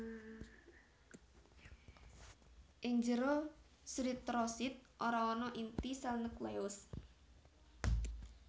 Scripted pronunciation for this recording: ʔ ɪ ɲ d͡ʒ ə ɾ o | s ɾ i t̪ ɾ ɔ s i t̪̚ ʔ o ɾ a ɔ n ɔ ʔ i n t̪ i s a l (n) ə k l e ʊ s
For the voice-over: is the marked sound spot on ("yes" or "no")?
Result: yes